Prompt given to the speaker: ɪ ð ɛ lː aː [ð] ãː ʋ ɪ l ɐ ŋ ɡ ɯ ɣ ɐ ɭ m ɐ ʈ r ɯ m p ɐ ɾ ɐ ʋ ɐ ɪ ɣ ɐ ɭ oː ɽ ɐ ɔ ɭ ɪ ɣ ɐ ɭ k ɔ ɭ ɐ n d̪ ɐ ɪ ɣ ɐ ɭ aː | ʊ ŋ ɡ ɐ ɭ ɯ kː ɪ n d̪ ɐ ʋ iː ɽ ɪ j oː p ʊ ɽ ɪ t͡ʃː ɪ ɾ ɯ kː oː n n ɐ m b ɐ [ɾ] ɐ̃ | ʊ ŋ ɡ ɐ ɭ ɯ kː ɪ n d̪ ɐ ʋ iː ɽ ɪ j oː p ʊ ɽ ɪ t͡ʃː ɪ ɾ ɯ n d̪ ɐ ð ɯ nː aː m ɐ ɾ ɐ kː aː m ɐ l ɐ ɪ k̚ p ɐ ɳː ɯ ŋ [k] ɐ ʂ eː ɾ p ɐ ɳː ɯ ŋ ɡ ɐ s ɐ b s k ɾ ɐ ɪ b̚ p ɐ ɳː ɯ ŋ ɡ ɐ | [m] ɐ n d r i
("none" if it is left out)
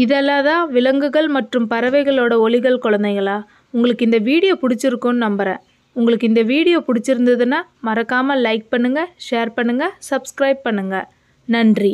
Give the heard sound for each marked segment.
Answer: ð, ɾ, ɡ, n

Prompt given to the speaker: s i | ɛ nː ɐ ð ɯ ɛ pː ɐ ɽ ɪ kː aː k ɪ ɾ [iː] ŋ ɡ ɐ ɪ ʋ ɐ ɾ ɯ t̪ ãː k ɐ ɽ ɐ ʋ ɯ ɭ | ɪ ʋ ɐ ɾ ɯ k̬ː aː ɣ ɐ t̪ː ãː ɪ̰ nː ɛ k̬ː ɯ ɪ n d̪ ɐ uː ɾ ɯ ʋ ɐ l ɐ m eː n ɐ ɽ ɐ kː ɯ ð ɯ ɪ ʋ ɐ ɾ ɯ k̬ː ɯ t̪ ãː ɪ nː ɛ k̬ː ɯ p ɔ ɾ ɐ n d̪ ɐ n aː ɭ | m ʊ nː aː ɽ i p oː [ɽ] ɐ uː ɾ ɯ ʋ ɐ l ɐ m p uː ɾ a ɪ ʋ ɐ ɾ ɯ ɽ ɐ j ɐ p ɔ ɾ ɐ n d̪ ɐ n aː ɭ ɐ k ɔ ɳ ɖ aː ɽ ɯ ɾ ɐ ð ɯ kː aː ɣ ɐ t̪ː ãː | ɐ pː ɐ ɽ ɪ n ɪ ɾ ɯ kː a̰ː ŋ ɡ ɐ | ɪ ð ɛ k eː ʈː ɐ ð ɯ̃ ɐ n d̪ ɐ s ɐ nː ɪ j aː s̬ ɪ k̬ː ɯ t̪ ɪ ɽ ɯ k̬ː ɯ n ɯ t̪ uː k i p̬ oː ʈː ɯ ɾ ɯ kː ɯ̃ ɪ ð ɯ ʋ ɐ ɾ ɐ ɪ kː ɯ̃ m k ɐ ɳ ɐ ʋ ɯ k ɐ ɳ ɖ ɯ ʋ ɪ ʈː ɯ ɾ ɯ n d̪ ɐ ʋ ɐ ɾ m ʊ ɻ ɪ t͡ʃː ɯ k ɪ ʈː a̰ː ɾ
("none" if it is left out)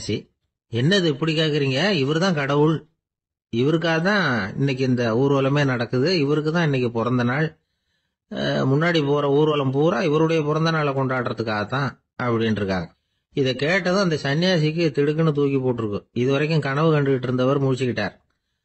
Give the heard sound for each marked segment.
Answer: iː, ɾ

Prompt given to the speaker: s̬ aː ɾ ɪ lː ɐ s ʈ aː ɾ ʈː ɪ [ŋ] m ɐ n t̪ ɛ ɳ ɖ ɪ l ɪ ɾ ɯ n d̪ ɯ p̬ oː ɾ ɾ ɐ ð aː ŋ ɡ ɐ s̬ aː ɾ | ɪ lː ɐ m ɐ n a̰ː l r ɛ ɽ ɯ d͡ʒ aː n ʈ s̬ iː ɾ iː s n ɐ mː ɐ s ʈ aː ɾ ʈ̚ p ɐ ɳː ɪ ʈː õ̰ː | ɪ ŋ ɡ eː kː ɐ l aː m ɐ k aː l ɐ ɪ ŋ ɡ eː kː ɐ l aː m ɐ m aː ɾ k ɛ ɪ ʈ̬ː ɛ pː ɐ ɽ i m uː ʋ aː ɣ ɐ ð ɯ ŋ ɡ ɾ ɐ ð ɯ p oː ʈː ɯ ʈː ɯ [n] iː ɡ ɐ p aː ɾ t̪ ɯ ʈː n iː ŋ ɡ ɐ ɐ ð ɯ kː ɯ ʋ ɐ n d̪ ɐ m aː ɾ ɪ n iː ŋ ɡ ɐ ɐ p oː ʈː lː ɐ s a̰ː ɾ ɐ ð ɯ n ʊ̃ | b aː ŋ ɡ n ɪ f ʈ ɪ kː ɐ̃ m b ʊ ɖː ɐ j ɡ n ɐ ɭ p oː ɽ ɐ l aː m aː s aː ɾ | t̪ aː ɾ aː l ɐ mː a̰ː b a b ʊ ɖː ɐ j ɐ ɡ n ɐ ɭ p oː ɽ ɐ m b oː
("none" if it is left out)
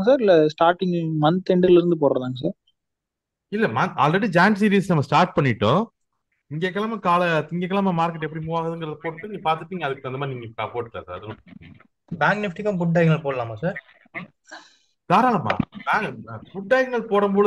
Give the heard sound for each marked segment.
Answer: ŋ, n

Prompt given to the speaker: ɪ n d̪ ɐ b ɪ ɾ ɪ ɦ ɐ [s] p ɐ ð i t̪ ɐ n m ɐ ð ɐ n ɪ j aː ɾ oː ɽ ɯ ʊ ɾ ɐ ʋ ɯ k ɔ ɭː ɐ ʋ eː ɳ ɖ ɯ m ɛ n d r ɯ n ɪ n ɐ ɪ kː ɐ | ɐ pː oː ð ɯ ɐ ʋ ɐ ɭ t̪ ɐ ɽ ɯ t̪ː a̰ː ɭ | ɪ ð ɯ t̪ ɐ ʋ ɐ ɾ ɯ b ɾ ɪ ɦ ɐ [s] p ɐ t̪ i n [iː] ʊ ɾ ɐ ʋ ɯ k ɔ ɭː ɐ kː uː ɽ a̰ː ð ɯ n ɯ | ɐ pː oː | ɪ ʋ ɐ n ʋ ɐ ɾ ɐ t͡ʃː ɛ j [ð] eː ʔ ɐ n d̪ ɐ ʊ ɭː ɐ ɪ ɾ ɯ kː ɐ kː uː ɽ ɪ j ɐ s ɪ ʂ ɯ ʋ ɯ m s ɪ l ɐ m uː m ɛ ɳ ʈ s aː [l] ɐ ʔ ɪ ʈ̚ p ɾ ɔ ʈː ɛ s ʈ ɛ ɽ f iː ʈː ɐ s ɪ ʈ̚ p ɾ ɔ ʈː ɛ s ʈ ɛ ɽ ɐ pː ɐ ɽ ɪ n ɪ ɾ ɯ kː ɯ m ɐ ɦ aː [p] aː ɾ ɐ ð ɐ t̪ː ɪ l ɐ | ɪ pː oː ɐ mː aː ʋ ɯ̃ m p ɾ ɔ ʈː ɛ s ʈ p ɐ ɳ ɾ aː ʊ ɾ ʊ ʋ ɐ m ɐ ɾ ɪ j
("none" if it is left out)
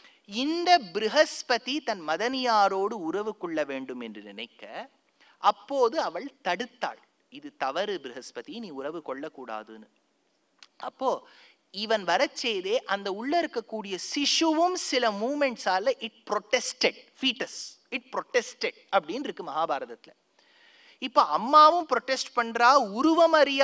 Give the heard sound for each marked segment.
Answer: s, s, iː, ð, l, b

